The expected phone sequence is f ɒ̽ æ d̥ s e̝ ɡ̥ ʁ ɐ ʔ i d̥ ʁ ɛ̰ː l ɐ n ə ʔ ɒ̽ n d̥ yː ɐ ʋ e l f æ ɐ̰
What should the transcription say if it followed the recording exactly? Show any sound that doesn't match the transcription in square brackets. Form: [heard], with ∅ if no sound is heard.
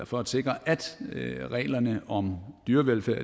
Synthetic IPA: f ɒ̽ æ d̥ s e̝ ɡ̥ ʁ ɐ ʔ [æ] d̥ ʁ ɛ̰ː l ɐ n ə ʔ ɒ̽ [m] d̥ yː ɐ ʋ e l f æ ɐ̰